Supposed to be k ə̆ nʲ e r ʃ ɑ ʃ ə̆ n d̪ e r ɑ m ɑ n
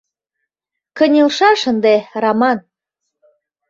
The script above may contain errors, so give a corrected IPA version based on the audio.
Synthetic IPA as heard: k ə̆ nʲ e l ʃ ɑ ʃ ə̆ n d̪ e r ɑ m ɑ n